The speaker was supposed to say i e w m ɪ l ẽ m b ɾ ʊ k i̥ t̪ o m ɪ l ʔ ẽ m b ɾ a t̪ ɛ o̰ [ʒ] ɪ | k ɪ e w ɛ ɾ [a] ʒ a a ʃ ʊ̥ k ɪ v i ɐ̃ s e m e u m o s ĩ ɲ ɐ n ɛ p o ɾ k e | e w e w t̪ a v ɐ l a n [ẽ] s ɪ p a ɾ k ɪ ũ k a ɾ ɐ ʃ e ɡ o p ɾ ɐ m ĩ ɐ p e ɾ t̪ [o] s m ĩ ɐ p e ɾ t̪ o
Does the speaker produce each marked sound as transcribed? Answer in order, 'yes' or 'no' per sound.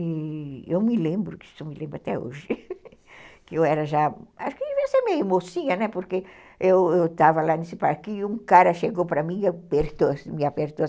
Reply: yes, no, no, yes

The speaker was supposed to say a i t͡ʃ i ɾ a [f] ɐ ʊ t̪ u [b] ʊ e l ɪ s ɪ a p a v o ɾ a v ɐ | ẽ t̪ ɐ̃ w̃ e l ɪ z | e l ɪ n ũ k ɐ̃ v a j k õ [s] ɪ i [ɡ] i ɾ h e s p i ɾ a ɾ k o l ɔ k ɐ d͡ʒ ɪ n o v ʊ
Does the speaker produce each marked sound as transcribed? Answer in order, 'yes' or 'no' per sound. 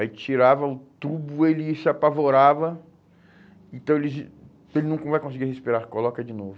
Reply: no, yes, yes, yes

